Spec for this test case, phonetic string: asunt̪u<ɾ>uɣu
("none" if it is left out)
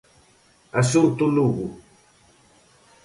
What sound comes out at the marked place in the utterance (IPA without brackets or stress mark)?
l